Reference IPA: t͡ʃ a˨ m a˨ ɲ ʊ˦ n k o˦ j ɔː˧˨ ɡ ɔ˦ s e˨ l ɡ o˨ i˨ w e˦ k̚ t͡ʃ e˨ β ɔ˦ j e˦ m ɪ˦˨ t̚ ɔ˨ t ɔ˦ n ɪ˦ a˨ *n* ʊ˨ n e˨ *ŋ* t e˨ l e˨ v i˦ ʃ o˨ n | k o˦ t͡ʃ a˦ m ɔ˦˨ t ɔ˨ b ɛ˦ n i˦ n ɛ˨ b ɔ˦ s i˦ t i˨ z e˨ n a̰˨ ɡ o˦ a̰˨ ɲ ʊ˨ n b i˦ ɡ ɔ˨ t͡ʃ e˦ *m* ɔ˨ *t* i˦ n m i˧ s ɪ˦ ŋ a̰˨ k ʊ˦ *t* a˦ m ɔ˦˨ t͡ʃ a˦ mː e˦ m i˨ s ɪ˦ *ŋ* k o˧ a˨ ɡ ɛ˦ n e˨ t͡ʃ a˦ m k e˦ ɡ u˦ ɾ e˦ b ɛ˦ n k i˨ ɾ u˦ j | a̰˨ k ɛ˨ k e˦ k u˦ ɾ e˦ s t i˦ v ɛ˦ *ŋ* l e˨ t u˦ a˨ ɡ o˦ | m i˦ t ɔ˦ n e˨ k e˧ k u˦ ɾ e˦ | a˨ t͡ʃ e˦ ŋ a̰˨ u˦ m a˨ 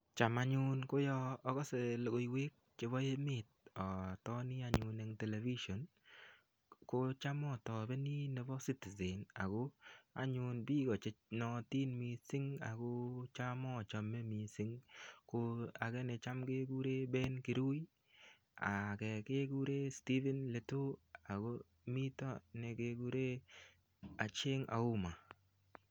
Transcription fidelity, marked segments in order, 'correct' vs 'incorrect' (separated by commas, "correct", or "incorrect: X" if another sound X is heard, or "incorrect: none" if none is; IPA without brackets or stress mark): incorrect: ɲ, correct, incorrect: n, correct, incorrect: t͡ʃ, correct, incorrect: n